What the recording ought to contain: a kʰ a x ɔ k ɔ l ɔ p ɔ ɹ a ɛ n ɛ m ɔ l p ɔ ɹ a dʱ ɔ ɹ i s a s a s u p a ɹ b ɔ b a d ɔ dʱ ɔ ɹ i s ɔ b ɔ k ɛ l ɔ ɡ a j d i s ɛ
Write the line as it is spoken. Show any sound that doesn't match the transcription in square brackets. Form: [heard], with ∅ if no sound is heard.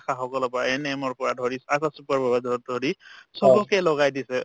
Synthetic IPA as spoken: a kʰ a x ɔ k ɔ l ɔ p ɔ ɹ a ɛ n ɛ m ɔ [ɹ] p ɔ ɹ a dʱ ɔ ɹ i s a s a s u p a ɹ b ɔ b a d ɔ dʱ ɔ ɹ i s ɔ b ɔ k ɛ l ɔ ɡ a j d i s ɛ